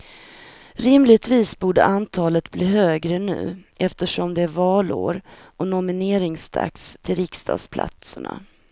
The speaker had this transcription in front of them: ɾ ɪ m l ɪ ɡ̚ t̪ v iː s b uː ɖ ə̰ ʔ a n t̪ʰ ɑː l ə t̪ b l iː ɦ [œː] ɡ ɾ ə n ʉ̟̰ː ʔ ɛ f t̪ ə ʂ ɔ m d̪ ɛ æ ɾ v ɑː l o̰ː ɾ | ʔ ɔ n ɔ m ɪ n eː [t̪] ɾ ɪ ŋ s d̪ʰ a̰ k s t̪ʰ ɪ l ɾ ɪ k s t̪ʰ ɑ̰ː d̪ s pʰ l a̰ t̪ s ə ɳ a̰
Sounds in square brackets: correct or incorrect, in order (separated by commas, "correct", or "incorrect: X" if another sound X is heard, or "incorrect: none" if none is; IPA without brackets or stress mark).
incorrect: øː, incorrect: none